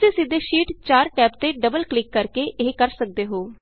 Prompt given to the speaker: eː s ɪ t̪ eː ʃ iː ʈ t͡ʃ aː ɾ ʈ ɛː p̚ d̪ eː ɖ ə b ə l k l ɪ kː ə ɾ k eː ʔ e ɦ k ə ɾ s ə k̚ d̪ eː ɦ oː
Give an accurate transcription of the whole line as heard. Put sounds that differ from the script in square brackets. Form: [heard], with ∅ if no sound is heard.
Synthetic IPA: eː s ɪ [d̪] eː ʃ iː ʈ t͡ʃ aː ɾ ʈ ɛː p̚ [t̪] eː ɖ ə b ə l k l ɪ kː ə ɾ k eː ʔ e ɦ k ə ɾ s ə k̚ d̪ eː ɦ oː